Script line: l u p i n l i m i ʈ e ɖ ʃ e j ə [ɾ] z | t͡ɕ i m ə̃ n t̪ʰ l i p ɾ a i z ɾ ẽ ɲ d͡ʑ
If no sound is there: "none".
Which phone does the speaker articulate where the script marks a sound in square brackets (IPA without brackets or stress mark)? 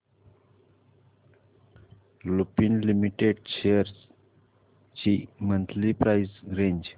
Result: ɾ